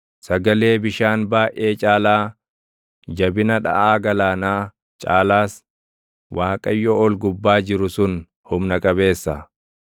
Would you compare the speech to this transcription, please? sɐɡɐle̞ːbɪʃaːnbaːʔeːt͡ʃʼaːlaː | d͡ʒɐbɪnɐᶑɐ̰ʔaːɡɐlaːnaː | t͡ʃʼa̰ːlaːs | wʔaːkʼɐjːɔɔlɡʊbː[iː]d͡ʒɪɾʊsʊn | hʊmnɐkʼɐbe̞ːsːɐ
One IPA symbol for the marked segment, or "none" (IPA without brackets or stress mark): aː